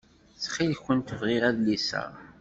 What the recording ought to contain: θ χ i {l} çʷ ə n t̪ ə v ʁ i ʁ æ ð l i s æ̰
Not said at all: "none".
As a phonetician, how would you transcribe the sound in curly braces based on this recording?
l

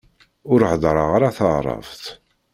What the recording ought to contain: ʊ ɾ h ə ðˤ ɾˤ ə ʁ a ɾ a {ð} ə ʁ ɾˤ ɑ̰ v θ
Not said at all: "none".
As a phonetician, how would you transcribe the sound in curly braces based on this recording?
θ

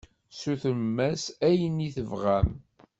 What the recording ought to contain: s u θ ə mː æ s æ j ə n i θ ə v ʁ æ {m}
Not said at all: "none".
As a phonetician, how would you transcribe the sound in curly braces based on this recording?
m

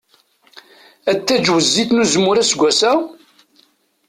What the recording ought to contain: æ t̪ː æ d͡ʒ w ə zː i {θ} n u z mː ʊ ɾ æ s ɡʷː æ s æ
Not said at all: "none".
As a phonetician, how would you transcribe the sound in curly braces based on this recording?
θ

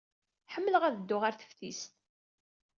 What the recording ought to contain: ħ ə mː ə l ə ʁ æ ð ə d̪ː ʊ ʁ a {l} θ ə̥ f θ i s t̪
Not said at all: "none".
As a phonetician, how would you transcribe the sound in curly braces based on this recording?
ɾ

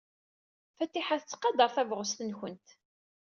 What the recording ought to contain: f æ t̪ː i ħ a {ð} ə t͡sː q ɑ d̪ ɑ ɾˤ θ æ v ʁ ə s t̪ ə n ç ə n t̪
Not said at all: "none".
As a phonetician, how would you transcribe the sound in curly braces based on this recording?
θ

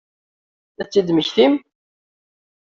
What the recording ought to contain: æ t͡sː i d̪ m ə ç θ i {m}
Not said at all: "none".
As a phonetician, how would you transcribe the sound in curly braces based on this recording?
m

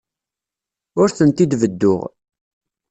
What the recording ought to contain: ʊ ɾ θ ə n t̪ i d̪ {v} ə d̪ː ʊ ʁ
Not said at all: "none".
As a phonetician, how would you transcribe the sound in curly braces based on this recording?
v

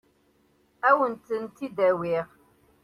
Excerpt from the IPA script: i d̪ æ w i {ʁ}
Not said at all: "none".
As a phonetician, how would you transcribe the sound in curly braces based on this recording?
ʁ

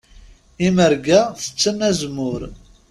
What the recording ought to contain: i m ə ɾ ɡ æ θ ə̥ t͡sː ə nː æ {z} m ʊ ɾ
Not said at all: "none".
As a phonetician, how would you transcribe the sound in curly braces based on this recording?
z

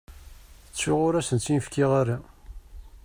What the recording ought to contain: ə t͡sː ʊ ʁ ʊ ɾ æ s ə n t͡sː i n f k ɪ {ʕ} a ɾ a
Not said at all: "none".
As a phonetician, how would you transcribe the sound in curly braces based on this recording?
ʁ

